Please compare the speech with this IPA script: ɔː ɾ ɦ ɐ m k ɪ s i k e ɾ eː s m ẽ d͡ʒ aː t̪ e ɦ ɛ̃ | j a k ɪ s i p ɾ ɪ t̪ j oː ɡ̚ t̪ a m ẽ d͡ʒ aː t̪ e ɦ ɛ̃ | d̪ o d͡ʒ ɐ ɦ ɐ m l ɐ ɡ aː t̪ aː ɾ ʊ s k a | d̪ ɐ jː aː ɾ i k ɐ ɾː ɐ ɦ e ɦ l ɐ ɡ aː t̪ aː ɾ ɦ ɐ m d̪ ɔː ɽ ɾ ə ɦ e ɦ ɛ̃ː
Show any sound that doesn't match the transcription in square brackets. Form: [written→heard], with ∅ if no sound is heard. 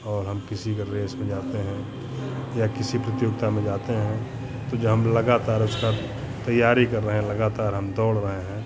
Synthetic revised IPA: ɔː ɾ ɦ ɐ m k ɪ s i k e ɾ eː s m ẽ d͡ʒ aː t̪ e ɦ ɛ̃ | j a k ɪ s i p ɾ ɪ t̪ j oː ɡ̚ t̪ a m ẽ d͡ʒ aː t̪ e ɦ ɛ̃ | [d̪→t̪] o d͡ʒ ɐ ɦ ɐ m l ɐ ɡ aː t̪ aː ɾ ʊ s k a | [d̪→t̪] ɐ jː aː ɾ i k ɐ ɾː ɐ ɦ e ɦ l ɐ ɡ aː t̪ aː ɾ ɦ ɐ m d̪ ɔː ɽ ɾ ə ɦ e ɦ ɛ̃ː

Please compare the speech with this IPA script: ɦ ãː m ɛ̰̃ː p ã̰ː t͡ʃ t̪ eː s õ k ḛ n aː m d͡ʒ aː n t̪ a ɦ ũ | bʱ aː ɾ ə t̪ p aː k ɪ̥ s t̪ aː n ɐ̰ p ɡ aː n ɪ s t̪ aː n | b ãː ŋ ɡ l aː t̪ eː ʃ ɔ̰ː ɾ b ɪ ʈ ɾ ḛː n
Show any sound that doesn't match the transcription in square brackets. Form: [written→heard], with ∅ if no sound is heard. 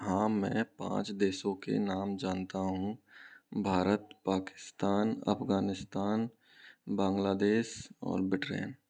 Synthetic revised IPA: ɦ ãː m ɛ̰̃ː p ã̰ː t͡ʃ [t̪→d̪] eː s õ k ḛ n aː m d͡ʒ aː n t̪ a ɦ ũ | bʱ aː ɾ ə t̪ p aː k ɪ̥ s t̪ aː n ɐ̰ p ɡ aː n ɪ s t̪ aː n | b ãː ŋ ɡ l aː [t̪→d̪] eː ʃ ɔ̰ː ɾ b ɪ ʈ ɾ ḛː n

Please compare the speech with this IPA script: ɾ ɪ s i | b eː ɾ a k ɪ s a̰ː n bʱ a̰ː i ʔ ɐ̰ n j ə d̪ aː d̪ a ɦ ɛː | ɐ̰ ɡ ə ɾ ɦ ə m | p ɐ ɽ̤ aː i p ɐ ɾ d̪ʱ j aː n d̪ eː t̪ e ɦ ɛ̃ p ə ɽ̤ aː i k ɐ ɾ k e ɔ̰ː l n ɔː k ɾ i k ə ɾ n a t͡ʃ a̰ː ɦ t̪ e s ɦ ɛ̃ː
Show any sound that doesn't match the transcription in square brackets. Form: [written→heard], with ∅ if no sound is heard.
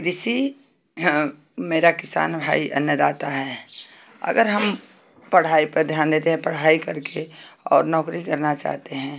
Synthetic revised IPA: ɾ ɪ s i | [b→m] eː ɾ a k ɪ s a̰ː n bʱ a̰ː i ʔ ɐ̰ n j ə d̪ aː [d̪→t̪] a ɦ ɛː | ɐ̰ ɡ ə ɾ ɦ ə m | p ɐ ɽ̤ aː i p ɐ ɾ d̪ʱ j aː n d̪ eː t̪ e ɦ ɛ̃ p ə ɽ̤ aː i k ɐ ɾ k e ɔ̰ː [l→ɾ] n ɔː k ɾ i k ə ɾ n a t͡ʃ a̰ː ɦ t̪ e [s→∅] ɦ ɛ̃ː

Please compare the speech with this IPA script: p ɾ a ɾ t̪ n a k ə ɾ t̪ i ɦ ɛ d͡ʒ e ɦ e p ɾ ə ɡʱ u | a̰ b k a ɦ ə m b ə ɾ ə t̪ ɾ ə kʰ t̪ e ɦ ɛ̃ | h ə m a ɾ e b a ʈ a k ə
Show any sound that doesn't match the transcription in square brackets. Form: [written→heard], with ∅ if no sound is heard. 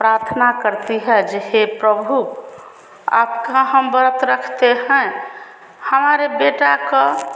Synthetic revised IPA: p ɾ a ɾ [t̪→t̪ʰ] n a k ə ɾ t̪ i ɦ ɛ d͡ʒ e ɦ e p ɾ ə [ɡʱ→bʱ] u | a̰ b k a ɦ ə m b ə ɾ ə t̪ ɾ ə kʰ t̪ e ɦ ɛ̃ | h ə m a ɾ e b [a→e] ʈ a k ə

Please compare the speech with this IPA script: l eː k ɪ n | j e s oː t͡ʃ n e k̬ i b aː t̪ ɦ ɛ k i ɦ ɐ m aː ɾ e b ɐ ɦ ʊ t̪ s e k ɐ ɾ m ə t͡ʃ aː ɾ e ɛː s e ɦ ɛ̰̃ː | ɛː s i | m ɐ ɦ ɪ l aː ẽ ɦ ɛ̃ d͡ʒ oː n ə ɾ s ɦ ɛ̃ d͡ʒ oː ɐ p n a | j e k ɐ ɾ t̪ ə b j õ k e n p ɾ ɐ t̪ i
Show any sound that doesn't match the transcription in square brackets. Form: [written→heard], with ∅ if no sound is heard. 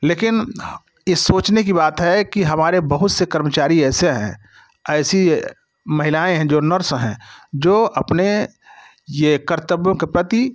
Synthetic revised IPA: l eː k ɪ n | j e s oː t͡ʃ n e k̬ i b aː t̪ ɦ ɛ k i ɦ ɐ m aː ɾ e b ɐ ɦ ʊ t̪ s e k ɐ ɾ m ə t͡ʃ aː ɾ [e→i] ɛː s e ɦ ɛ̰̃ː | ɛː s i | m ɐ ɦ ɪ l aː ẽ ɦ ɛ̃ d͡ʒ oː n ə ɾ s ɦ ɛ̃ d͡ʒ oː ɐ p n [a→e] | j e k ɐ ɾ t̪ ə b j õ k e [n→∅] p ɾ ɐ t̪ i

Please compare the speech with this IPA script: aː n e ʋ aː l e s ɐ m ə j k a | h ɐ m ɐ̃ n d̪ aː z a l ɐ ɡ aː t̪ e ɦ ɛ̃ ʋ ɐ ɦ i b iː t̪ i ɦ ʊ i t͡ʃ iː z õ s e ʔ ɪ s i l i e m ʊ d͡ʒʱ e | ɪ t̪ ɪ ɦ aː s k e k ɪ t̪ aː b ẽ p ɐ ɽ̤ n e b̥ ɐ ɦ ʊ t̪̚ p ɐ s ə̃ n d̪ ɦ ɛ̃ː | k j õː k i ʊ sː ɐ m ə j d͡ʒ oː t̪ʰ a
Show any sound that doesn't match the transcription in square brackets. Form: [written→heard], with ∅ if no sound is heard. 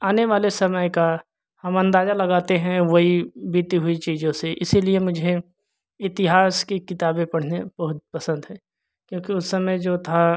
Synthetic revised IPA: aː n e ʋ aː l e s ɐ m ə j k a | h ɐ m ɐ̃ n d̪ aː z a l ɐ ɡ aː t̪ e ɦ ɛ̃ ʋ ɐ ɦ i b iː t̪ i ɦ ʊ i t͡ʃ iː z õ s e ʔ ɪ s i l i e m ʊ d͡ʒʱ e | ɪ t̪ ɪ ɦ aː s k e k ɪ t̪ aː b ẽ p ɐ ɽ̤ n e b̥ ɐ ɦ ʊ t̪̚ p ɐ s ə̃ n d̪ ɦ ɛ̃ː | k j õː k i ʊ sː ɐ m ə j d͡ʒ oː t̪ʰ a

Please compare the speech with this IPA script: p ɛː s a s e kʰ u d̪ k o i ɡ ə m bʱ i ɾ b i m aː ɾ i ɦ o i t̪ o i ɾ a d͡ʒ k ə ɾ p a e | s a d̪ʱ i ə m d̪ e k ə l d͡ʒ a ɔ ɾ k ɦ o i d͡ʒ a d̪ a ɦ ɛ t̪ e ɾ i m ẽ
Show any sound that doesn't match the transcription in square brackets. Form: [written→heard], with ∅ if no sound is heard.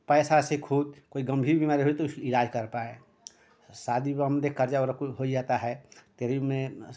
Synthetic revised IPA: p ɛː s a s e kʰ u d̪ k o i ɡ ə m bʱ i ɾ b i m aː ɾ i ɦ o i t̪ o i ɾ a d͡ʒ k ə ɾ p a e | s a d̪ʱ i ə m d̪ e k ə [l→ɾ] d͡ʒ a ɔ ɾ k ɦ o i d͡ʒ a [d̪→t̪] a ɦ ɛ t̪ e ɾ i m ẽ

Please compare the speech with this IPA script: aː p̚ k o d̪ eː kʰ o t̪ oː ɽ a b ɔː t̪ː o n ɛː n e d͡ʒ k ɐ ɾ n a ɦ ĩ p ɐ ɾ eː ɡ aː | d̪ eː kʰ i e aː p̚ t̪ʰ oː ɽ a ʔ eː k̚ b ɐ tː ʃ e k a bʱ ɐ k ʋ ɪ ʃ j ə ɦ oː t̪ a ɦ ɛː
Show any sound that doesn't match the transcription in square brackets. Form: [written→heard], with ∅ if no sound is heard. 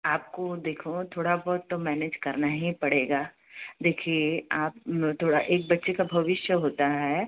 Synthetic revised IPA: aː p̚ k o d̪ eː kʰ o [t̪→t̪ʰ] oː ɽ a b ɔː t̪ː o [n→m] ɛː n e d͡ʒ k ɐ ɾ n a ɦ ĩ p ɐ [ɾ→ɽ] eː ɡ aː | d̪ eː kʰ i e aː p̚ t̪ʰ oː ɽ a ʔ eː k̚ b ɐ tː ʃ e k a bʱ ɐ [k→∅] ʋ ɪ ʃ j ə ɦ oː t̪ a ɦ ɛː

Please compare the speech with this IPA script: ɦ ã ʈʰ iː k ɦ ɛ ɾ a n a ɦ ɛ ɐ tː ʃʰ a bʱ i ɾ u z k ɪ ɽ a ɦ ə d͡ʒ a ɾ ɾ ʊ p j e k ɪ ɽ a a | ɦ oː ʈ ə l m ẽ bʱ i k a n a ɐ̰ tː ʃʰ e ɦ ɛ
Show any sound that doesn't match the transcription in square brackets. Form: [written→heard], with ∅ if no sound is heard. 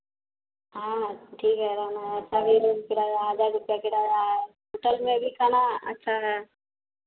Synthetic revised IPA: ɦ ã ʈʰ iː k ɦ ɛ ɾ a n a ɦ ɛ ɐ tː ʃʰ a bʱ i ɾ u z k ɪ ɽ a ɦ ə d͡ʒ a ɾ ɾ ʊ p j [e→a] k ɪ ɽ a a | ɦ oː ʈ ə l m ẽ bʱ i k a n a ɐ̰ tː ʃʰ [e→a] ɦ ɛ

